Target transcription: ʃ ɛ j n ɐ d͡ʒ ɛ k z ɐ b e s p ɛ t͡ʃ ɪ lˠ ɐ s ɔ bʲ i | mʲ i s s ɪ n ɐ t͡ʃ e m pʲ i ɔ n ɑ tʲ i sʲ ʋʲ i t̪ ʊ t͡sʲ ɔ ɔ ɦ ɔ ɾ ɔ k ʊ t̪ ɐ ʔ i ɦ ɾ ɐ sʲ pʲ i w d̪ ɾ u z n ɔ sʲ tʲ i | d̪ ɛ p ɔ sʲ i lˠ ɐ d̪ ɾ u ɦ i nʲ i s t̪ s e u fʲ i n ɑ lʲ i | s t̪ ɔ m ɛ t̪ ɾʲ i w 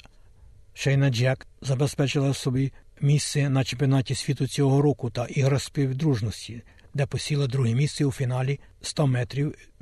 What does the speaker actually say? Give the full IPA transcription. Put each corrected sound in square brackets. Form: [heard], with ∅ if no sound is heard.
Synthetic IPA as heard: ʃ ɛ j n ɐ d͡ʒ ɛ k z ɐ b e s p ɛ t͡ʃ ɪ lˠ ɐ s ɔ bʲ i | mʲ i s s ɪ n ɐ t͡ʃ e m pʲ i ɔ n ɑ tʲ i sʲ ʋʲ i t̪ ʊ t͡sʲ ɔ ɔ ɦ ɔ ɾ ɔ k ʊ t̪ ɐ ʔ i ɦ ɾ ɐ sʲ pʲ i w d̪ ɾ u [ʒ] n ɔ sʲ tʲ i | d̪ ɛ p ɔ sʲ i lˠ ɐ d̪ ɾ u ɦ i [mʲ] i s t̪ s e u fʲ i n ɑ lʲ i | s t̪ ɔ m ɛ t̪ ɾʲ i w